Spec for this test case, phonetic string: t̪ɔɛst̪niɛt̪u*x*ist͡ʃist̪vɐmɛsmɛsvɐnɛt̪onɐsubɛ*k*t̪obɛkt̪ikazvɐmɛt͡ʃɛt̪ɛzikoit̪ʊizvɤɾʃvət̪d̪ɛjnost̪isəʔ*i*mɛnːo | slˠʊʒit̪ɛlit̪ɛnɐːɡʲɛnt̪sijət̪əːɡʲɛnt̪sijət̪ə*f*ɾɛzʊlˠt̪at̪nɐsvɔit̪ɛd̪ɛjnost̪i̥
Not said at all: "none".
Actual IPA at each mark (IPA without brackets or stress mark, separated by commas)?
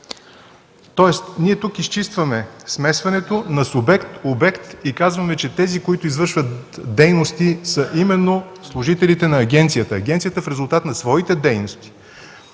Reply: k, k, i, f